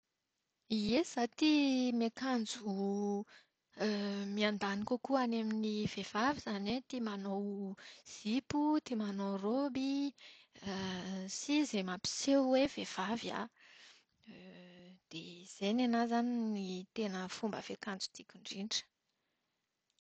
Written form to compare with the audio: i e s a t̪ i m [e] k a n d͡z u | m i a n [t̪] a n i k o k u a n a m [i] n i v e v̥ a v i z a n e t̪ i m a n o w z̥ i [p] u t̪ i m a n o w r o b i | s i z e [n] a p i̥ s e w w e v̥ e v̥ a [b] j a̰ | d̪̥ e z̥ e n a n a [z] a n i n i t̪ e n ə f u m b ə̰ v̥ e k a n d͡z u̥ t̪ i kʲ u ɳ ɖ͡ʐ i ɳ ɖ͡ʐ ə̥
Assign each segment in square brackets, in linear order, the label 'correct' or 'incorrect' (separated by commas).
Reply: correct, incorrect, correct, correct, incorrect, incorrect, correct